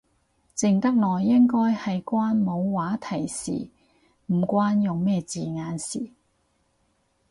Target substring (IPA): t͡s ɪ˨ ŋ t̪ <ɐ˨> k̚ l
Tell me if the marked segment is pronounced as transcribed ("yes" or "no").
no